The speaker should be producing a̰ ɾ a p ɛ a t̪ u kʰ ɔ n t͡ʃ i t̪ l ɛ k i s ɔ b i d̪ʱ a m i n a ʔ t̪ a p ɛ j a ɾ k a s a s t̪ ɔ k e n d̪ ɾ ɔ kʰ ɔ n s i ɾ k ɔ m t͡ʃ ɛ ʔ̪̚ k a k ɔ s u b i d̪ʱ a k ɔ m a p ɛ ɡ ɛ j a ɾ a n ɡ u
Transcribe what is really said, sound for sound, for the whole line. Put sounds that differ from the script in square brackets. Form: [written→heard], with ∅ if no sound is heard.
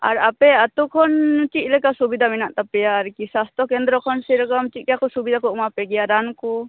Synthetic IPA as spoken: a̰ ɾ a p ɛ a t̪ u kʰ ɔ n t͡ʃ i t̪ l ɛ k [i→a] s [ɔ→u] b i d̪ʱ a m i n a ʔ t̪ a p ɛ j a ɾ k [a→i] s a s t̪ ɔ k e n d̪ ɾ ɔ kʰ ɔ n s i ɾ k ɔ m t͡ʃ [ɛ→i] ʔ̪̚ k a k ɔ s u b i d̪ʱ a k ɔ m a p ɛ ɡ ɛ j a ɾ a n [ɡ→k] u

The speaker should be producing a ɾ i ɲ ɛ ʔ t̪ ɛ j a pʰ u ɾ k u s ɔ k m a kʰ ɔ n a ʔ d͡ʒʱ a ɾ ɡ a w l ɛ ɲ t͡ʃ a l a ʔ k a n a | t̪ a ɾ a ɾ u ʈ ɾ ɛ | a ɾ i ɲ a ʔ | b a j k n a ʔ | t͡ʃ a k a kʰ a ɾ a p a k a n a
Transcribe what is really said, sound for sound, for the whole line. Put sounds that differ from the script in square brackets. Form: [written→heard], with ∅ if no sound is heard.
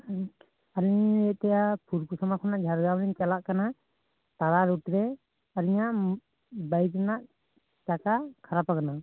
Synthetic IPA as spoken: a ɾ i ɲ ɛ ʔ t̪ ɛ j a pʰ u ɾ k u s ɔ [k→∅] m a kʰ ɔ n a ʔ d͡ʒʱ a ɾ ɡ a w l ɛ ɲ t͡ʃ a l a ʔ k a n a | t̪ a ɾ a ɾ u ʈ ɾ ɛ | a ɾ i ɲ a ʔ | b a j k n a ʔ | t͡ʃ a k a kʰ a ɾ a p a k a n a

